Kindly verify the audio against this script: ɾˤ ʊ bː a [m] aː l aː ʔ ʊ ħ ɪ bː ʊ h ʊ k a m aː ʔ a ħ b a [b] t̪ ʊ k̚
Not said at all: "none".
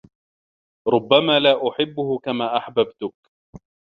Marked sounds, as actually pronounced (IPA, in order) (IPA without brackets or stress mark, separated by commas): m, b